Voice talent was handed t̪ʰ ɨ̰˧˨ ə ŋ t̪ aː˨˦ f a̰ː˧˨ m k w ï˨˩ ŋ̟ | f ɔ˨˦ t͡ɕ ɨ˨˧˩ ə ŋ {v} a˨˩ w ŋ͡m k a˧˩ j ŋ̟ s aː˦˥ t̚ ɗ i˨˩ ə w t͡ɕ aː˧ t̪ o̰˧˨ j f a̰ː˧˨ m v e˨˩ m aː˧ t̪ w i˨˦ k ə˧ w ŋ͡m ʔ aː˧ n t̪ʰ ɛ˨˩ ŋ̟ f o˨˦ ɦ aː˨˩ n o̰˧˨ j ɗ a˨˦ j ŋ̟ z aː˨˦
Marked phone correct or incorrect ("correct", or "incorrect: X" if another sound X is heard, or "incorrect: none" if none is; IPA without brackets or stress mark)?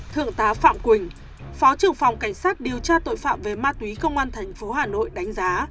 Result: incorrect: f